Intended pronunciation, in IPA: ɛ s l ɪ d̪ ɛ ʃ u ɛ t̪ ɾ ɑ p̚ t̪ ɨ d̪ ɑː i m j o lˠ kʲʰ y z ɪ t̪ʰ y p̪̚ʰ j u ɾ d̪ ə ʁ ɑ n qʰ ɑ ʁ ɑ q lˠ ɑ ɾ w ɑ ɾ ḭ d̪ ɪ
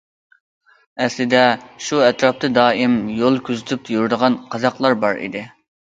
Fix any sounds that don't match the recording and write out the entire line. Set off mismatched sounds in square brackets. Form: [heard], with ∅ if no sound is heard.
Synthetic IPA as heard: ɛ s l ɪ d̪ ɛ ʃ u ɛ t̪ ɾ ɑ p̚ t̪ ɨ d̪ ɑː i m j o lˠ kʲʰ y z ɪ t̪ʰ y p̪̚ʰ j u ɾ d̪ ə ʁ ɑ n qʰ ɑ [z] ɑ q lˠ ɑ ɾ [b] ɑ ɾ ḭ d̪ ɪ